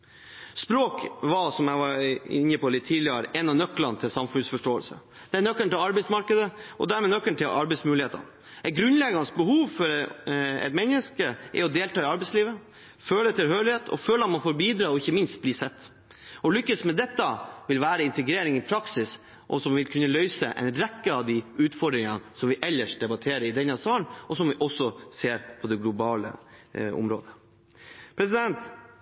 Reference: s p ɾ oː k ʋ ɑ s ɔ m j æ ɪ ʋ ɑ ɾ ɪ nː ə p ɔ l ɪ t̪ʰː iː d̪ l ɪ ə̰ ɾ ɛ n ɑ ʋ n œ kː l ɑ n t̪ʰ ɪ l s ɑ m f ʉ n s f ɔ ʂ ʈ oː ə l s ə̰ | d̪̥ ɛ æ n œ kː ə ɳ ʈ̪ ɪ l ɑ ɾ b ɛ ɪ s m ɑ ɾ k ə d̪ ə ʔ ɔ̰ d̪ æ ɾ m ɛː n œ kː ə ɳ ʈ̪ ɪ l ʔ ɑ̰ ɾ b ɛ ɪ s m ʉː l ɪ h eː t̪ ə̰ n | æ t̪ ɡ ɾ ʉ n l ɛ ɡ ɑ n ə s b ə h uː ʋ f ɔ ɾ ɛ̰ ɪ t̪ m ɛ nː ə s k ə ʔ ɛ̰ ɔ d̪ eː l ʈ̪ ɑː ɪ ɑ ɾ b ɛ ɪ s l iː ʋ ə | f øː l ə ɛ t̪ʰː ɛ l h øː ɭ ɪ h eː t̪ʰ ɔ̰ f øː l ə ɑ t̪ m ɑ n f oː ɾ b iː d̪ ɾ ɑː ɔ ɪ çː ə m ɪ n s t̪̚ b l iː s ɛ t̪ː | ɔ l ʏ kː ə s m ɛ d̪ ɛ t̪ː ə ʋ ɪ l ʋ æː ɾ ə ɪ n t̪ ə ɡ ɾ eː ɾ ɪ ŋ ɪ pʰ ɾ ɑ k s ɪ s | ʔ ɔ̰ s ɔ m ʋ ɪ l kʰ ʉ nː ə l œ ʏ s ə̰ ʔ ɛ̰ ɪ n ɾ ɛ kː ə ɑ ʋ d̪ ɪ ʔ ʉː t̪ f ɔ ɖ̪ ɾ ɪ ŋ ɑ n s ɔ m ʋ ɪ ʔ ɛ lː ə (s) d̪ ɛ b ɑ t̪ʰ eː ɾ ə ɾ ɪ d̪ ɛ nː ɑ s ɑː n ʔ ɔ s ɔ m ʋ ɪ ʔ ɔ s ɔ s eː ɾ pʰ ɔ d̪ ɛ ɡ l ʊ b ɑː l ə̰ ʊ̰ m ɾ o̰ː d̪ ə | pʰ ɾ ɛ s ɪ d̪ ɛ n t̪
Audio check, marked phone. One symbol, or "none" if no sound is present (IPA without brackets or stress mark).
ʂ